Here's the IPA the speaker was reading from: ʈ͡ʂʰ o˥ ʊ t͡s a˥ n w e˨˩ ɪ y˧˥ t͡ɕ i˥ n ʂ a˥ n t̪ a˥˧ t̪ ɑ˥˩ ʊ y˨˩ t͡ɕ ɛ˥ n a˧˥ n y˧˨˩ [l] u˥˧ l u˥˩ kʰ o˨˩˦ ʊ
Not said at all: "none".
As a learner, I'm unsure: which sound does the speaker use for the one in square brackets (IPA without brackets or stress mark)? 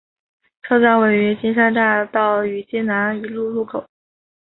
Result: l